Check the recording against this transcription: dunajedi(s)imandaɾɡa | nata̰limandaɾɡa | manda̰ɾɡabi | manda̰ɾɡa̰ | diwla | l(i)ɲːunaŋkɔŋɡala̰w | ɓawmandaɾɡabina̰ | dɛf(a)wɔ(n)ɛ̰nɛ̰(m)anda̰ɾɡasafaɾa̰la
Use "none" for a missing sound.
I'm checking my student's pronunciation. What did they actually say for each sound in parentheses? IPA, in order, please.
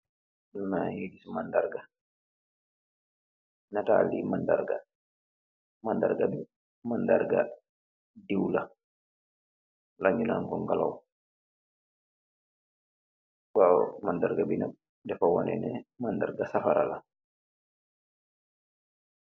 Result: s, a, a, n, m

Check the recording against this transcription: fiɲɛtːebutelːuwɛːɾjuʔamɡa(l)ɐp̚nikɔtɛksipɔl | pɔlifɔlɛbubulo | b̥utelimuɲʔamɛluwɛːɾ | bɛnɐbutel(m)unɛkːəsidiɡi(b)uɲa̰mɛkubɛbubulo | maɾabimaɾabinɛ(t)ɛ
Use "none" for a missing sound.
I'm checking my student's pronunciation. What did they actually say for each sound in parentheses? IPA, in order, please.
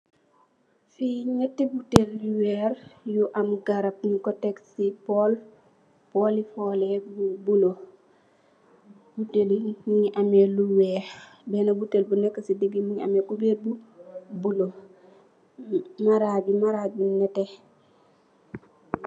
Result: ɾ, b, m, t

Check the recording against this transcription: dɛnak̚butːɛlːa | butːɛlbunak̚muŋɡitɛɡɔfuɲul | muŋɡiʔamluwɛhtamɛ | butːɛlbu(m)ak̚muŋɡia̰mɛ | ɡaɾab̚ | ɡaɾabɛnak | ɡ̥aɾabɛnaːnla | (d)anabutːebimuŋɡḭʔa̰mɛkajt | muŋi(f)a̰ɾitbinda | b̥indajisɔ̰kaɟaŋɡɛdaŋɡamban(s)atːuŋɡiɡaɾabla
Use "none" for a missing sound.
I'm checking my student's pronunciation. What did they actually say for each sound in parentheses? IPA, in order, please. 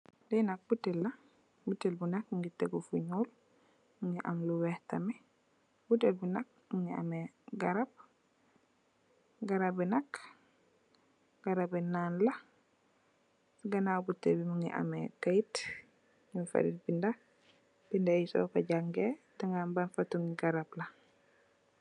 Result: n, ɡ, f, f

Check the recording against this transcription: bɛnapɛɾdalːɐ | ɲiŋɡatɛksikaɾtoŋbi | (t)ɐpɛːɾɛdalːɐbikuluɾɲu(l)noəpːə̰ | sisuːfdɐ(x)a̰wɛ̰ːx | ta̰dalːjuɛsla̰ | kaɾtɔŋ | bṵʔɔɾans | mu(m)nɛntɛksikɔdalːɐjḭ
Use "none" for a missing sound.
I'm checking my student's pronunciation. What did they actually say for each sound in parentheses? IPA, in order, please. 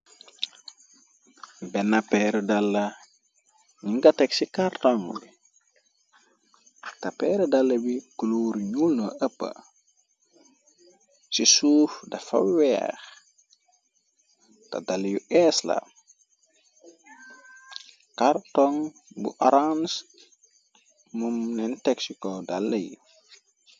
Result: t, l, f, m

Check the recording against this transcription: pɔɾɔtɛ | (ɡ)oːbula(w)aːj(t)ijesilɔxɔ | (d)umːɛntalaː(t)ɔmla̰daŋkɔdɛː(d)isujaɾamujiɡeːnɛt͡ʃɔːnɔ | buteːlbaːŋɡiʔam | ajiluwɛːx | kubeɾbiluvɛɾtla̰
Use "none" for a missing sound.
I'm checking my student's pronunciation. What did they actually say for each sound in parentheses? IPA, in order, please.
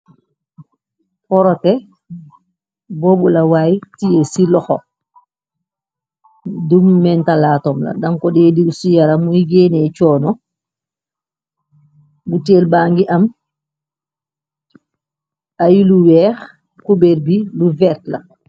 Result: b, w, t, d, t, d

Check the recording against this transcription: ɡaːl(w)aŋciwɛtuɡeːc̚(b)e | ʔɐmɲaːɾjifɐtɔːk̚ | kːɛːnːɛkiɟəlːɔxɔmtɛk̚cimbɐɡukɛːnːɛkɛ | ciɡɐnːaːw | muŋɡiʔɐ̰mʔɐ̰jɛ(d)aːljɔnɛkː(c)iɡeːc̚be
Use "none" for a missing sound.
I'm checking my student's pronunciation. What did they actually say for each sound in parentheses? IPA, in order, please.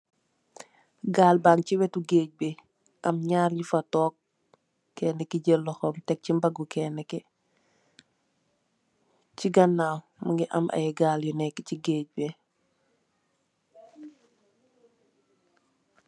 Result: b, b, ɡ, c

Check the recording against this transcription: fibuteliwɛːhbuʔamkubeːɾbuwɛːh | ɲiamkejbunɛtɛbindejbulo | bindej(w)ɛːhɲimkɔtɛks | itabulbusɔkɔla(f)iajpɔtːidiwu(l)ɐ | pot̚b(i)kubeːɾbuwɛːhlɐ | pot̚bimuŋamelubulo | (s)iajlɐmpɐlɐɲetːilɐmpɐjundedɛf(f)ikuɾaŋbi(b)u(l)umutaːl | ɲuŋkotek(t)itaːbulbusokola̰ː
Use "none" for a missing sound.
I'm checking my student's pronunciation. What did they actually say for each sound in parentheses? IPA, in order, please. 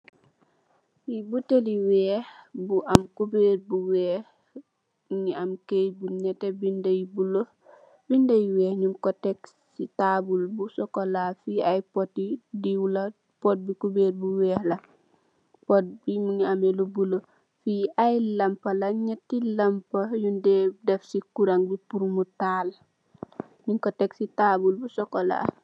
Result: w, f, l, i, f, s, p, ɾ, s

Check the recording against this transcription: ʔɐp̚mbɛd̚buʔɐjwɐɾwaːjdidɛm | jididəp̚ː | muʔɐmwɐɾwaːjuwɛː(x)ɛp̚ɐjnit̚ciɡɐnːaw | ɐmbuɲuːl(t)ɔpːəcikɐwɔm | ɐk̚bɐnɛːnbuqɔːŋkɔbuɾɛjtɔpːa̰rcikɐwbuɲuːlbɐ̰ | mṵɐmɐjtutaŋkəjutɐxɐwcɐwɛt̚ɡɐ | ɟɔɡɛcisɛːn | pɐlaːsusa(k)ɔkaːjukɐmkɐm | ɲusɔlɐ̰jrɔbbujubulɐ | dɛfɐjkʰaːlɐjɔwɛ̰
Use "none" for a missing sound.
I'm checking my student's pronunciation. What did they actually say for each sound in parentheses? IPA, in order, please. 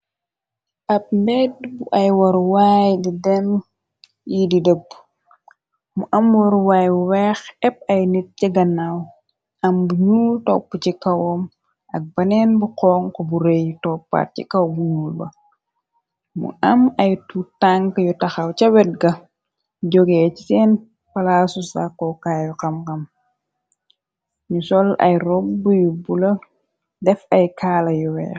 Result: x, t, k

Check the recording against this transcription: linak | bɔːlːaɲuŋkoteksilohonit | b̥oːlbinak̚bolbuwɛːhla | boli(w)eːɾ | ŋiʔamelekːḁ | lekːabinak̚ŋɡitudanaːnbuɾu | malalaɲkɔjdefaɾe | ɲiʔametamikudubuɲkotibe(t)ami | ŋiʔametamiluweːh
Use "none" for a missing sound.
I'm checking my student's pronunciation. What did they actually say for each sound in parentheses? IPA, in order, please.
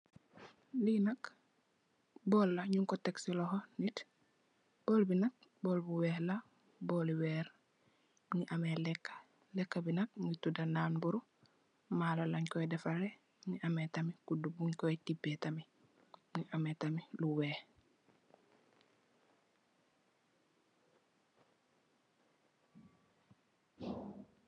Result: w, t

